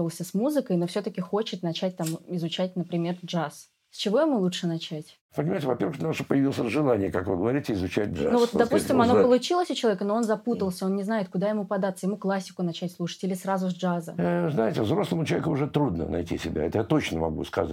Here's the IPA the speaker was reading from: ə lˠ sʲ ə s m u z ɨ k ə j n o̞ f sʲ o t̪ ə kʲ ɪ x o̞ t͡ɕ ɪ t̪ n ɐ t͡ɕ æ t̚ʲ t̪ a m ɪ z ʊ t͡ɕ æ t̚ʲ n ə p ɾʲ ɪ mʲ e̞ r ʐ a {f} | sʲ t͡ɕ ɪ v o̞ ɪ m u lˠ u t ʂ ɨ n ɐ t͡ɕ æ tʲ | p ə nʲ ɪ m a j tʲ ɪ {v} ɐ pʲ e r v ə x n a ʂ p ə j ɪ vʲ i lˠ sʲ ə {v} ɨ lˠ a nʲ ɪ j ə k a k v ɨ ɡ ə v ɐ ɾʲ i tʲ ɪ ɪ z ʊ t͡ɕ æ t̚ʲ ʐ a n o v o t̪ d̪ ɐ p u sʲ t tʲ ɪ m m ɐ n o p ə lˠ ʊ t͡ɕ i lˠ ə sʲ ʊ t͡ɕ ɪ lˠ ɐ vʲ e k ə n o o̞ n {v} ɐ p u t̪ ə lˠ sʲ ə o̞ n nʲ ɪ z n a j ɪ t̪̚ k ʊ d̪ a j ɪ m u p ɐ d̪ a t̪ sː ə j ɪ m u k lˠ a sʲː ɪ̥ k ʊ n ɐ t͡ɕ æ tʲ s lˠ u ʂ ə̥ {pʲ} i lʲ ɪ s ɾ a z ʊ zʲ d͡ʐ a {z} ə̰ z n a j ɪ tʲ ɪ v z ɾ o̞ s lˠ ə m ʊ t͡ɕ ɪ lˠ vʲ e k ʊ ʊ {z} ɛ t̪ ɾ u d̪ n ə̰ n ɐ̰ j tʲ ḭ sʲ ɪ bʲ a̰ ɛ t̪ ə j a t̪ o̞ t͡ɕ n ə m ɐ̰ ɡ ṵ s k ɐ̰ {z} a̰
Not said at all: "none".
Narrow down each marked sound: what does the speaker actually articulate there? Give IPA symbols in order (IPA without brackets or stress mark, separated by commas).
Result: s, v, ʐ, z, tʲ, z, ʐ, z